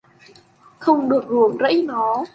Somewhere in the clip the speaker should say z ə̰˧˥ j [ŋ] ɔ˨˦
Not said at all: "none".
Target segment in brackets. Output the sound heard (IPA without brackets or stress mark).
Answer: n